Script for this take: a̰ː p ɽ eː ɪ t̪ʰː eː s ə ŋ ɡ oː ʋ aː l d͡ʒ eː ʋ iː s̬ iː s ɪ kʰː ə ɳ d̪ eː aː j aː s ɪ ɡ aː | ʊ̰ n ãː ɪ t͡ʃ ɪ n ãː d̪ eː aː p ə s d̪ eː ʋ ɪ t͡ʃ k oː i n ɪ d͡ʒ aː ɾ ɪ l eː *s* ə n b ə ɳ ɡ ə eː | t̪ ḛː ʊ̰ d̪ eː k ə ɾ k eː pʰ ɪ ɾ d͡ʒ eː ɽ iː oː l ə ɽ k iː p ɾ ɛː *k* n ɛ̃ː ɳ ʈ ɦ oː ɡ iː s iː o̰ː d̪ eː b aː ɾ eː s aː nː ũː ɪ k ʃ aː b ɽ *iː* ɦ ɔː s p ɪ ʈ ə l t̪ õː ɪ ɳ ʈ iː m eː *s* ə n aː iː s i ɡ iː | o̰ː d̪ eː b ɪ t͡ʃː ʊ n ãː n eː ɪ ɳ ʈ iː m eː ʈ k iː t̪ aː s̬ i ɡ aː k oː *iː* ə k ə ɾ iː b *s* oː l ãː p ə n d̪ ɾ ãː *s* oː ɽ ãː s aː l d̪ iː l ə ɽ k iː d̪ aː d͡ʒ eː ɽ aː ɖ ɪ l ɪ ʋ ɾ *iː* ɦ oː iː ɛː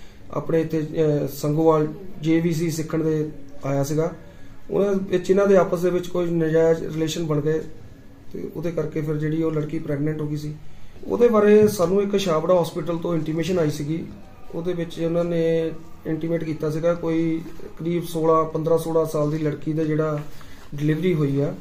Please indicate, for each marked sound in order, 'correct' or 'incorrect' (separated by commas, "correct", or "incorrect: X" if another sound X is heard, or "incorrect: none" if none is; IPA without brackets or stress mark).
incorrect: ʃ, incorrect: ɡ, incorrect: aː, incorrect: ʃ, correct, correct, correct, correct